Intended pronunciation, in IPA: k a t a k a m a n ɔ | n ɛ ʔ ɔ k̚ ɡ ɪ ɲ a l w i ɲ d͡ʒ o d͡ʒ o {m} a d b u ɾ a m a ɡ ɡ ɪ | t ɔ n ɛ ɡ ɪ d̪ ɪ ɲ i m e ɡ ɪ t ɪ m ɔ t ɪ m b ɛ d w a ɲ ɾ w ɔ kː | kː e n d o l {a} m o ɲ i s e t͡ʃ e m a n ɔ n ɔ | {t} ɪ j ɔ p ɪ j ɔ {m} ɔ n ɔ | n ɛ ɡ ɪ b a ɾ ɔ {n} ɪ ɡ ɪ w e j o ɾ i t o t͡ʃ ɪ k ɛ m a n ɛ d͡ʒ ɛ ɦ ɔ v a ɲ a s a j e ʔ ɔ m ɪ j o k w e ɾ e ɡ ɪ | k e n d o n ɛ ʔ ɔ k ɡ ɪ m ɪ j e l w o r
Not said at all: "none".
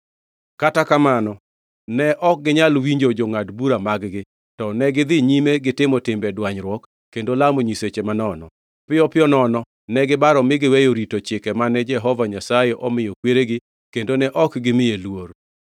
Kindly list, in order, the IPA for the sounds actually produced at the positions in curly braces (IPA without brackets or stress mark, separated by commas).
ŋ, a, p, n, m